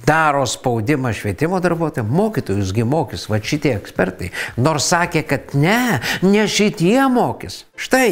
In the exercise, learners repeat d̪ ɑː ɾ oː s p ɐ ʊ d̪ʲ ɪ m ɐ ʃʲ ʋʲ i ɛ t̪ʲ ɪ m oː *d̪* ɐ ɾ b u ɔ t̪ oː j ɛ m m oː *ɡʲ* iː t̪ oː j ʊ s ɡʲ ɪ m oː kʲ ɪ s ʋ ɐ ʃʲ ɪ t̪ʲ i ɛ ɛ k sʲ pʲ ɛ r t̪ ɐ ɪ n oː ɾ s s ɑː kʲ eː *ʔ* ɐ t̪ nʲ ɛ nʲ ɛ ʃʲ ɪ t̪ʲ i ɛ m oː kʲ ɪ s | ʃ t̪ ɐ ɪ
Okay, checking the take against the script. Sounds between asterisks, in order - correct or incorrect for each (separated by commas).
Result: correct, incorrect, incorrect